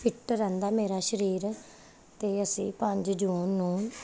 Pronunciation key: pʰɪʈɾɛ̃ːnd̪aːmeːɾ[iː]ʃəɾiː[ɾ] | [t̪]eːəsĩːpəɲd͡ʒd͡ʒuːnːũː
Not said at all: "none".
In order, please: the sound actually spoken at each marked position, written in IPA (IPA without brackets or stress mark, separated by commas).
aː, ɾ, t̪